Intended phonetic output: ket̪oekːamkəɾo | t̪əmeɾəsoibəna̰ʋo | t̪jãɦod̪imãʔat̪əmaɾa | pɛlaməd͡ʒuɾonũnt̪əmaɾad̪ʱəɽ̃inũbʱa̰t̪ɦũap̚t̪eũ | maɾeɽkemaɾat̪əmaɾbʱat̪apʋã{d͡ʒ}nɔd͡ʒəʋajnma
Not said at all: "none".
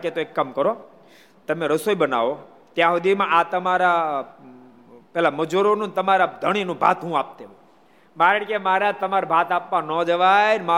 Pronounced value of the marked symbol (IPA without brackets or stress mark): none